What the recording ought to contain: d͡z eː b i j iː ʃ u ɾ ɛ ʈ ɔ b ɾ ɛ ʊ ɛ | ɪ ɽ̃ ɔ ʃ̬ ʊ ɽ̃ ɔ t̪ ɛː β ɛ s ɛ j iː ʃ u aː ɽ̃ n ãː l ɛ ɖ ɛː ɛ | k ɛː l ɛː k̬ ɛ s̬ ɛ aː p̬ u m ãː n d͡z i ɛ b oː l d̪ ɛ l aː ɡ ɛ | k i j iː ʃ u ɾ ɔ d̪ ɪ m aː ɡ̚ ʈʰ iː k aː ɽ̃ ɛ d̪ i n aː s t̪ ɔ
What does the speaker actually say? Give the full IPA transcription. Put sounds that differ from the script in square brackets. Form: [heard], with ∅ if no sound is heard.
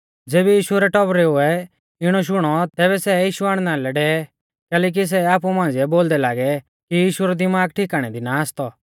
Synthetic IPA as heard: d͡z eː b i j iː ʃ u ɾ ɛ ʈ ɔ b ɾ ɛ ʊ ɛ | ɪ ɽ̃ ɔ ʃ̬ ʊ ɽ̃ ɔ t̪ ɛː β ɛ s ɛ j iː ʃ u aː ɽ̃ n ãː l ɛ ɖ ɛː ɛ | k ɛː l ɛː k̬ [i] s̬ ɛ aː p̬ u m ãː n d͡z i ɛ b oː l d̪ ɛ l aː ɡ ɛ | k i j iː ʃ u ɾ ɔ d̪ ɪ m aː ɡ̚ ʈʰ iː k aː ɽ̃ ɛ d̪ i n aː s t̪ ɔ

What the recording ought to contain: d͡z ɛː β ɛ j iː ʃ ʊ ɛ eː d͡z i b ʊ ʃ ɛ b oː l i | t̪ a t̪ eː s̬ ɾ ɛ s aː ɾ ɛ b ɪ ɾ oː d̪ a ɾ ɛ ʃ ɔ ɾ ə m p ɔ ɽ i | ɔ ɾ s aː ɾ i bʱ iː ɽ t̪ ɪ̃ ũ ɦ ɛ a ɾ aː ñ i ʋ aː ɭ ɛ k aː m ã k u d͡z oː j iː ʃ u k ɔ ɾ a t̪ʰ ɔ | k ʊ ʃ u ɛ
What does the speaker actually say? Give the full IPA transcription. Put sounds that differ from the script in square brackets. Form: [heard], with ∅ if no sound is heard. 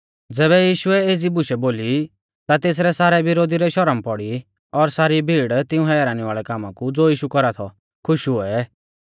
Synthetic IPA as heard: d͡z ɛː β ɛ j iː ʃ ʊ ɛ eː d͡z i b ʊ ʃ ɛ b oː l i | t̪ a t̪ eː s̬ ɾ ɛ s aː ɾ ɛ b ɪ ɾ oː d̪ [i] ɾ ɛ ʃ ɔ ɾ ə m p ɔ ɽ i | ɔ ɾ s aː ɾ i bʱ iː ɽ t̪ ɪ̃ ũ ɦ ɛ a ɾ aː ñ i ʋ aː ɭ ɛ k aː m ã k u d͡z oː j iː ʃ u k ɔ ɾ a t̪ʰ ɔ | [kʰ] ʊ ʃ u ɛ

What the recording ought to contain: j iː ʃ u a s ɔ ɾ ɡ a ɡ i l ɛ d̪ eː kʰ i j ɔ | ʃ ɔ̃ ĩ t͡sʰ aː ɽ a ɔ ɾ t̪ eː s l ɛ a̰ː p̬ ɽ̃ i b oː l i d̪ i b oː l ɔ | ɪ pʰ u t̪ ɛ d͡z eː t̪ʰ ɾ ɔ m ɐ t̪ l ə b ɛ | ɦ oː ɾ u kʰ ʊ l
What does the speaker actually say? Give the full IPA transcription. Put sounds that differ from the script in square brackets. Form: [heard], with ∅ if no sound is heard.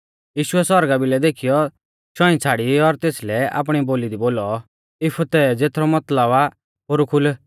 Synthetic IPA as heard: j iː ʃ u [ɛ] s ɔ ɾ ɡ a [b] i l ɛ d̪ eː kʰ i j ɔ | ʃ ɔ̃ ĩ t͡sʰ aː ɽ [i] ɔ ɾ t̪ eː s l ɛ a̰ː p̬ ɽ̃ i b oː l i d̪ i b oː l ɔ | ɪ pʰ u t̪ ɛ d͡z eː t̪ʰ ɾ ɔ m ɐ t̪ l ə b [a] | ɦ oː ɾ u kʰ ʊ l

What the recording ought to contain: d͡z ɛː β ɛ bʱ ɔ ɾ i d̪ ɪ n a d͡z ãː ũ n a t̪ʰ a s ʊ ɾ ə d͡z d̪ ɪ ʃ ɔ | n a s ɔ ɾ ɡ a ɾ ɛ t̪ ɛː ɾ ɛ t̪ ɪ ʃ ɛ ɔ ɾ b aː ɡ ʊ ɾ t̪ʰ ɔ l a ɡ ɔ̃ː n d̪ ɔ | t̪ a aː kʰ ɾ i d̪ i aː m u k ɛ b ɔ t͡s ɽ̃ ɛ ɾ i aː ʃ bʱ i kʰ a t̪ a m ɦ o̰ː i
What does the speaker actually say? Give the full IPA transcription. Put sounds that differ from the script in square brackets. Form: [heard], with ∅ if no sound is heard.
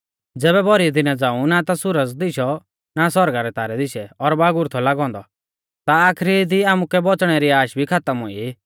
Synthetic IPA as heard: d͡z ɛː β ɛ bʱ ɔ ɾ i d̪ ɪ n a d͡z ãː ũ n a [t̪] a s ʊ ɾ ə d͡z d̪ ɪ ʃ ɔ | n a s ɔ ɾ ɡ a ɾ ɛ t̪ [aː] ɾ ɛ [d̪] ɪ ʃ ɛ ɔ ɾ b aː ɡ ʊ ɾ t̪ʰ ɔ l a ɡ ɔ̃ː n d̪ ɔ | t̪ a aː kʰ ɾ i d̪ i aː m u k ɛ b ɔ t͡s ɽ̃ ɛ ɾ i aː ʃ bʱ i kʰ a t̪ [ə] m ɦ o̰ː i

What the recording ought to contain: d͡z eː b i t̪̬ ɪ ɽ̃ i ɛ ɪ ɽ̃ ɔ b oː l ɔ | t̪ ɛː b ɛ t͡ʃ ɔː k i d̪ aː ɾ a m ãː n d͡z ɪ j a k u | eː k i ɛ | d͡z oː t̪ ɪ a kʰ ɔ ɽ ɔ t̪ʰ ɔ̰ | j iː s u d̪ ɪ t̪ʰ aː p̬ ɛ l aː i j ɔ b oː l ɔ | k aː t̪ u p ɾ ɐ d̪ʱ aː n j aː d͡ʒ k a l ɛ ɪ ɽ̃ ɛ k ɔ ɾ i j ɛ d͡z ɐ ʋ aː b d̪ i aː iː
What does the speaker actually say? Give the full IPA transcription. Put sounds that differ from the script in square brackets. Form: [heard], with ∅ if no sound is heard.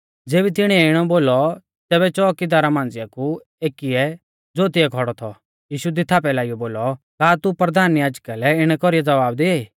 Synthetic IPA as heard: d͡z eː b i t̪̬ ɪ ɽ̃ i ɛ ɪ ɽ̃ ɔ b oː l ɔ | t̪ ɛː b ɛ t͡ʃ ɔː k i d̪ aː ɾ a m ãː n d͡z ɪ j a k u | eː k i ɛ | d͡z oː t̪ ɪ [ɛ] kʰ ɔ ɽ ɔ t̪ʰ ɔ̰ | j iː [ʃ] u d̪ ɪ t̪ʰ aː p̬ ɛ l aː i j ɔ b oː l ɔ | k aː t̪ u p ɾ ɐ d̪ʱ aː n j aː d͡ʒ k a l ɛ ɪ ɽ̃ ɛ k ɔ ɾ i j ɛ d͡z ɐ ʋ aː b d̪ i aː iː

